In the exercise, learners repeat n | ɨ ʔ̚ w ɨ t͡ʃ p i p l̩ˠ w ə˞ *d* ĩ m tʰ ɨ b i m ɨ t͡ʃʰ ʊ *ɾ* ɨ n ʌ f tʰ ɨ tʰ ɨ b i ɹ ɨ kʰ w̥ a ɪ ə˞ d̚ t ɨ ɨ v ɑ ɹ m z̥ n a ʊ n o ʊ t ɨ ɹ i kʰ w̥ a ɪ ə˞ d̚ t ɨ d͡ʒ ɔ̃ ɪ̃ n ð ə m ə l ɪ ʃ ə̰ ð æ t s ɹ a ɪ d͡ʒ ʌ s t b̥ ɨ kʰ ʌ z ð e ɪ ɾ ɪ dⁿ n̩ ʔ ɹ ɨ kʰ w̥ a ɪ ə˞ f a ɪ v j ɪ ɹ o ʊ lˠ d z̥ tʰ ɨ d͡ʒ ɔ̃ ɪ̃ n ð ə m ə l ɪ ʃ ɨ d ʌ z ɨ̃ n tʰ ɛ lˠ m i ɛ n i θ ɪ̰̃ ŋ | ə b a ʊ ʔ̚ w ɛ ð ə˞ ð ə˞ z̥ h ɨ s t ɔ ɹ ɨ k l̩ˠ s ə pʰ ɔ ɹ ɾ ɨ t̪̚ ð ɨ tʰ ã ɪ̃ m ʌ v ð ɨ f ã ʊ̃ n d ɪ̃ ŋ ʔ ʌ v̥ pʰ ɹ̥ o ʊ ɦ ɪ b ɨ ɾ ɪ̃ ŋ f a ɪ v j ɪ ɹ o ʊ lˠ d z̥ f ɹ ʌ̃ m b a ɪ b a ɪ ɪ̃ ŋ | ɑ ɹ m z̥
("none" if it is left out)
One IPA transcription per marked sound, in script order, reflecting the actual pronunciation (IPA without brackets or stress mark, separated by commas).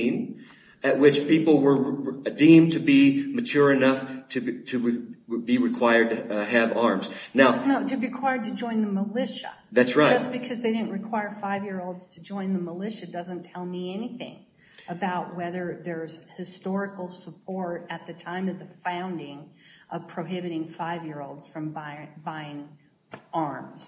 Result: d, ɹ